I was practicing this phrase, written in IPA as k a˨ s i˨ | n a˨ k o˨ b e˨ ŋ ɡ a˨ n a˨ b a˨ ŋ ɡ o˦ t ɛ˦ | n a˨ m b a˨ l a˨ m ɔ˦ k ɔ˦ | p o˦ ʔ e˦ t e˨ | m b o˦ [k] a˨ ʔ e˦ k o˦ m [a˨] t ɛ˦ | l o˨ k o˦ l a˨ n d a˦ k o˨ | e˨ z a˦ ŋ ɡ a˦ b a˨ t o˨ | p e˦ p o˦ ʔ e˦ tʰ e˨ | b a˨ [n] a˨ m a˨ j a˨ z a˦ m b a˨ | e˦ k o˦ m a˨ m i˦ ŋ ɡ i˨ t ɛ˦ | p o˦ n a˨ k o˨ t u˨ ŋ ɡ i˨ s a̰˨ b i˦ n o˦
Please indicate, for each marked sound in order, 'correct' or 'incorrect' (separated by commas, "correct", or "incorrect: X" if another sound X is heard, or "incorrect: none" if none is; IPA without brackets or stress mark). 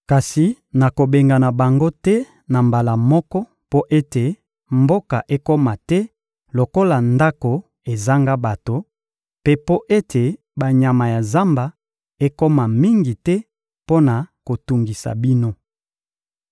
correct, correct, incorrect: ɲ